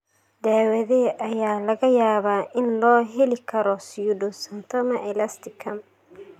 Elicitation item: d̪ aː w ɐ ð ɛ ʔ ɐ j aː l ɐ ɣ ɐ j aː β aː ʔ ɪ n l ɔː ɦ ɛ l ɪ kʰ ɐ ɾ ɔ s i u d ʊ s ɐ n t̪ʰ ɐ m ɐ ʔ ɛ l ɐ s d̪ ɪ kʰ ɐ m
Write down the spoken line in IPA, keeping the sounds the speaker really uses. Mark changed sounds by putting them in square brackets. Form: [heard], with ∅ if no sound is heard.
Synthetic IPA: d̪ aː w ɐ ð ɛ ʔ ɐ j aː l ɐ ɣ ɐ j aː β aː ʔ ɪ n l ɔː ɦ ɛ l ɪ kʰ ɐ ɾ ɔ s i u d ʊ s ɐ n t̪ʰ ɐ m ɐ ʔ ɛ l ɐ s [t̪] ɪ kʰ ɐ m